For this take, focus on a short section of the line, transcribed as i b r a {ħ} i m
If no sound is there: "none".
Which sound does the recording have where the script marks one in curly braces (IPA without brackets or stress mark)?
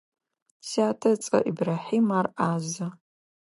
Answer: ħ